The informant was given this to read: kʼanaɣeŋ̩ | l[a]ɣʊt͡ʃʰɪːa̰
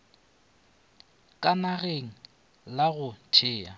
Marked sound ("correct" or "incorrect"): correct